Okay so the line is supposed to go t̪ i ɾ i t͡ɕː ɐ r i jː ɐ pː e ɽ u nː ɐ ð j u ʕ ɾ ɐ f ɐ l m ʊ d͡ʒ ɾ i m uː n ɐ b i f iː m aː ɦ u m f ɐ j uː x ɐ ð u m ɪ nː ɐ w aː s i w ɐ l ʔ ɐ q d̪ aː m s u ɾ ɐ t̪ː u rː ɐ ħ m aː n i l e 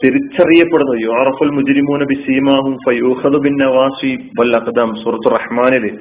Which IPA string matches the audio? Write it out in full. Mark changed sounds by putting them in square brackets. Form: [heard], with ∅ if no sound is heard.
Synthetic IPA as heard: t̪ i ɾ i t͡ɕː ɐ r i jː ɐ pː e ɽ u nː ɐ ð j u ʕ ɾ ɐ f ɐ l m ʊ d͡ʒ ɾ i m uː n ɐ b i [s] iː m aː ɦ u m f ɐ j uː x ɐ ð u [b] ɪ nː ɐ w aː s i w ɐ l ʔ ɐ q d̪ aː m s [uː] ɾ ɐ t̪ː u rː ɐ ħ m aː n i l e